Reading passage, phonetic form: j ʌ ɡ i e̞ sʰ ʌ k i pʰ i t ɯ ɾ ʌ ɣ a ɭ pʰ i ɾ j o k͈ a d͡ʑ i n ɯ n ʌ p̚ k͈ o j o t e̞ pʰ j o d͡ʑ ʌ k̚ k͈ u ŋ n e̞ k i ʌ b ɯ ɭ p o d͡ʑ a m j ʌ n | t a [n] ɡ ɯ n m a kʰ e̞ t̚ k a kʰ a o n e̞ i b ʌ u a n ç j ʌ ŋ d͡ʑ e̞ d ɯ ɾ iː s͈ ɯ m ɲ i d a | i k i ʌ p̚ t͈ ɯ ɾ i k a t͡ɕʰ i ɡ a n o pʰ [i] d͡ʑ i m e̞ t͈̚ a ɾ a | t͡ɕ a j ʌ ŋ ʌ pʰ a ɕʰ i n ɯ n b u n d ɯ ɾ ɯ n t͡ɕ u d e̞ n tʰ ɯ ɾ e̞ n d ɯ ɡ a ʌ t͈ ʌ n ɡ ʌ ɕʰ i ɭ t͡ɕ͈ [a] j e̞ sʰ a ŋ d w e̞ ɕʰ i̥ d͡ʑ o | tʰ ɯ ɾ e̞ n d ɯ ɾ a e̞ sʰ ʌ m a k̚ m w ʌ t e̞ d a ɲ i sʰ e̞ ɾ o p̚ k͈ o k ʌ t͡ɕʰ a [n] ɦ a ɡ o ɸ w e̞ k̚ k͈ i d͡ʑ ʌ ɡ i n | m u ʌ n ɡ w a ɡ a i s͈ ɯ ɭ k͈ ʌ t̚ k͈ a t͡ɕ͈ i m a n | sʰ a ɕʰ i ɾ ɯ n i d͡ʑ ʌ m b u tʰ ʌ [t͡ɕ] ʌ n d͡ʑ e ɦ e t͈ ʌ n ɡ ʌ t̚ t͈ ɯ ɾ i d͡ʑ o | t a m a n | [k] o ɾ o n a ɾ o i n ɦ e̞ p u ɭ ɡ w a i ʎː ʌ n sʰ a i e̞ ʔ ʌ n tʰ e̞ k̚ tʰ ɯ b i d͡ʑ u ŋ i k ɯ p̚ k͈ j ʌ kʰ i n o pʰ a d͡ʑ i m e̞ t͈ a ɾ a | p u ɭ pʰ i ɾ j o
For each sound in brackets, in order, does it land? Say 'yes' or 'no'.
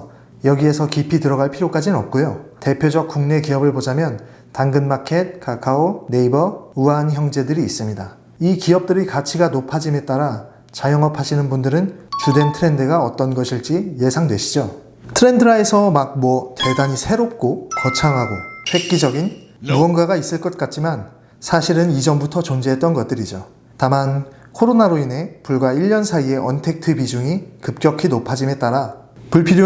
no, no, no, no, yes, no

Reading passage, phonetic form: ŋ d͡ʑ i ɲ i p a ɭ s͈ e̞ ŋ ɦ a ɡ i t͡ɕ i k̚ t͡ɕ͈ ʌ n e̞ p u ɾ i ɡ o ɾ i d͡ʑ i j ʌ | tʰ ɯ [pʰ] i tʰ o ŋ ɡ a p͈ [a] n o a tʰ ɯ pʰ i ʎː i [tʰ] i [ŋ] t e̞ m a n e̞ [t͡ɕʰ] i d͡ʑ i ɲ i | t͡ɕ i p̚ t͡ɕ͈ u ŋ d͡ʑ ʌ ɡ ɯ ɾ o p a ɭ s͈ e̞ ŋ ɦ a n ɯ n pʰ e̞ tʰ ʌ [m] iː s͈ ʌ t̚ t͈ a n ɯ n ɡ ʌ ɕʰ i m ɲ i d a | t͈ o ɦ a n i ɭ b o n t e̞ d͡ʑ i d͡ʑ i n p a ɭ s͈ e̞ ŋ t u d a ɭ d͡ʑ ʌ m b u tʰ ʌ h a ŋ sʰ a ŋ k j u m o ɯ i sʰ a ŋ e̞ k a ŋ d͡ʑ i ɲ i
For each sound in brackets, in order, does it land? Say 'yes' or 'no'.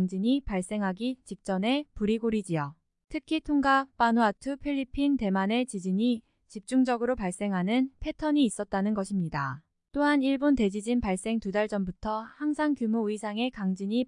no, yes, no, no, no, no

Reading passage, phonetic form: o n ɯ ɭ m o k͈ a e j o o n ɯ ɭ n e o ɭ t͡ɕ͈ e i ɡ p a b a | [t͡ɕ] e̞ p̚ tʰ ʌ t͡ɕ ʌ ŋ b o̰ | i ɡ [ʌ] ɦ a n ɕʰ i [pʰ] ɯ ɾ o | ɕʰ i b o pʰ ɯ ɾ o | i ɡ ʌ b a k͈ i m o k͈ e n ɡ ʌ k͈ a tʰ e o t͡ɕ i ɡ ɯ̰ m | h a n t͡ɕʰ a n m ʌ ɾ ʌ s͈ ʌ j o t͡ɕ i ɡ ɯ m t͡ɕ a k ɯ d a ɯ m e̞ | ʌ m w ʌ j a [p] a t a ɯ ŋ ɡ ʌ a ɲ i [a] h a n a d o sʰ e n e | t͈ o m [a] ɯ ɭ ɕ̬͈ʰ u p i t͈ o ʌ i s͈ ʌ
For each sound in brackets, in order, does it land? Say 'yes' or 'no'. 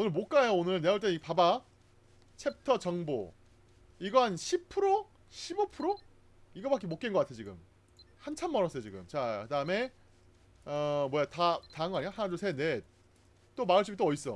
no, yes, yes, no, yes, yes

